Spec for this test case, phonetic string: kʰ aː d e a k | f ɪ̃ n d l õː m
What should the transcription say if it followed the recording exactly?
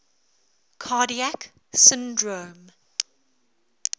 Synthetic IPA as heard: kʰ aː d i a k | s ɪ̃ n d ɹ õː m